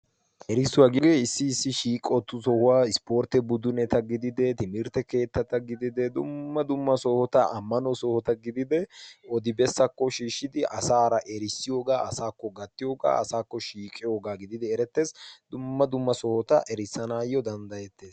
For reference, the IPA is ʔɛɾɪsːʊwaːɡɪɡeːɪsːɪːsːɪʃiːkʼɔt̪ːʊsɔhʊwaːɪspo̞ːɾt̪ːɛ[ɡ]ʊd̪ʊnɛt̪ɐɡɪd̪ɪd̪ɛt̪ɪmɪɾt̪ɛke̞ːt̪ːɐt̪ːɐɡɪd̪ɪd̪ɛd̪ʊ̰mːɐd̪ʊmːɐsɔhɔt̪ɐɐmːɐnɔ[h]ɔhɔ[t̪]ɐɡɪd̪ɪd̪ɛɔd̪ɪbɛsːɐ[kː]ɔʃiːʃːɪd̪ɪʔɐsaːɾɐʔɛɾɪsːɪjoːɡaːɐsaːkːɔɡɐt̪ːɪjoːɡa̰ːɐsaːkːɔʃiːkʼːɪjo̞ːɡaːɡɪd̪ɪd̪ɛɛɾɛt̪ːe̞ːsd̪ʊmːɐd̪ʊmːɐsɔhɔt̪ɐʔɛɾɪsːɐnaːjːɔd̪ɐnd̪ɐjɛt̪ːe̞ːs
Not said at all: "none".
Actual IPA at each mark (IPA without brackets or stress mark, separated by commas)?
b, s, t̪, kː